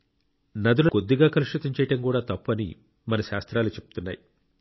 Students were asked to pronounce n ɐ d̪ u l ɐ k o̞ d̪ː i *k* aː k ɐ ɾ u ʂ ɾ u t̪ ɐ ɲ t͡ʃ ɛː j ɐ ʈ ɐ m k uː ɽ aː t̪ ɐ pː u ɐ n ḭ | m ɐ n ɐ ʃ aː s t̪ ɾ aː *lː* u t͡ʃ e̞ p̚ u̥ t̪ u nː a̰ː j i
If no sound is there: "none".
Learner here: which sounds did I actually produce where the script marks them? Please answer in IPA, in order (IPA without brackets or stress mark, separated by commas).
ɡ, l